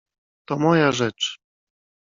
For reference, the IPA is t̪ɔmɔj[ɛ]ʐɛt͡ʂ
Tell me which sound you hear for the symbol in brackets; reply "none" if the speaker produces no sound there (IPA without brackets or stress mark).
a